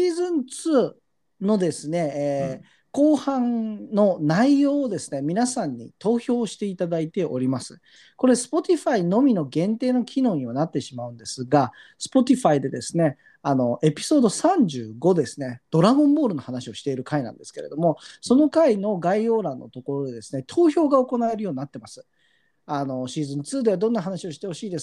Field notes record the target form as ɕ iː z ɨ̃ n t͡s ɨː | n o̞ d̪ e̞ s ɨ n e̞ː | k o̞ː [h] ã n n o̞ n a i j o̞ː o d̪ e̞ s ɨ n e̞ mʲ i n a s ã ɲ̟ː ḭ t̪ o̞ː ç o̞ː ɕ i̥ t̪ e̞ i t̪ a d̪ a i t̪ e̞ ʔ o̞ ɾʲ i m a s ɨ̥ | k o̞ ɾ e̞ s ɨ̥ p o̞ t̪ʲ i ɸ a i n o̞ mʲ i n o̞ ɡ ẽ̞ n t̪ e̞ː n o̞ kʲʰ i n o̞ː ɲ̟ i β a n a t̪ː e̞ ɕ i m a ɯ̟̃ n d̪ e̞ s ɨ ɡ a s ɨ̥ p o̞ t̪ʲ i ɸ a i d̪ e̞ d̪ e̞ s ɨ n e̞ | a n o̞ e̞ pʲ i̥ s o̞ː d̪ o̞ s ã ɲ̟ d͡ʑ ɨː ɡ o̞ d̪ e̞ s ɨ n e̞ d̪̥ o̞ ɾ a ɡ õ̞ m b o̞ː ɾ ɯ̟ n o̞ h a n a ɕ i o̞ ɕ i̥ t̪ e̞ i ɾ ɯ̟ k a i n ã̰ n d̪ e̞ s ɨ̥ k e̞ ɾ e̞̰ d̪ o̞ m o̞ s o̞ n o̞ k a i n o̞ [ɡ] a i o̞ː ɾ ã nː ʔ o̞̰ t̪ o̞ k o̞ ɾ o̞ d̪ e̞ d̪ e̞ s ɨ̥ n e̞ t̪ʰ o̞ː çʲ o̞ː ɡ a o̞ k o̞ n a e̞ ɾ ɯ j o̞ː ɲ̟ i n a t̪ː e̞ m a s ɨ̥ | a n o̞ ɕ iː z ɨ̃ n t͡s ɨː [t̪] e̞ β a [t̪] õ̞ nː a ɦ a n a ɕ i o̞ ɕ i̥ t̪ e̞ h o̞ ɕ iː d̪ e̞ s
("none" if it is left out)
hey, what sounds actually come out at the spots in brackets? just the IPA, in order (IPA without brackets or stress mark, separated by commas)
h, ɡ, d̪, d̪